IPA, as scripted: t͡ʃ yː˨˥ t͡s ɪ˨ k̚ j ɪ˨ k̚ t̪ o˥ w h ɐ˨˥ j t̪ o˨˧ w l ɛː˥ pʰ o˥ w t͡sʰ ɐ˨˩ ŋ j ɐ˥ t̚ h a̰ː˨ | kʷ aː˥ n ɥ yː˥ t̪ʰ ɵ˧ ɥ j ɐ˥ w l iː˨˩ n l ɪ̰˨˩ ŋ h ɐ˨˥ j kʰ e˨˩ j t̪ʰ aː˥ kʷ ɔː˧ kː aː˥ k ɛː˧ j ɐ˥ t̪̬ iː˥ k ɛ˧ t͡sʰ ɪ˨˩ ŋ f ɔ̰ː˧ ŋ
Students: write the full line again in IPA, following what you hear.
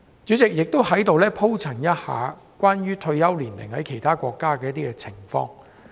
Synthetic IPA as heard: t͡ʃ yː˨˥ t͡s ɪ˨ k̚ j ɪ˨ k̚ t̪ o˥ w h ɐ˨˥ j t̪ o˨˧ w l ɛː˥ pʰ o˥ w t͡sʰ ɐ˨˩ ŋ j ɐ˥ t̚ h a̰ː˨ | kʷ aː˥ n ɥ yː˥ t̪ʰ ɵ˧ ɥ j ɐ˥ w l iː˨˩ n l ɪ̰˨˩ ŋ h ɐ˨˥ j kʰ e˨˩ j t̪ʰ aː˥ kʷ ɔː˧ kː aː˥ k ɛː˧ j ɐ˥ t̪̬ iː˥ k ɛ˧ t͡sʰ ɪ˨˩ ŋ f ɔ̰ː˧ ŋ